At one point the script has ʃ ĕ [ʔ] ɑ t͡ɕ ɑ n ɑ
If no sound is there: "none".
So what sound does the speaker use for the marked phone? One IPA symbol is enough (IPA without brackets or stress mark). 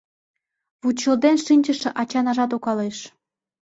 ʔ